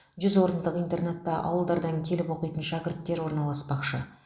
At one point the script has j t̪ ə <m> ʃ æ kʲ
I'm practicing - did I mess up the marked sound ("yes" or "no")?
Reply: yes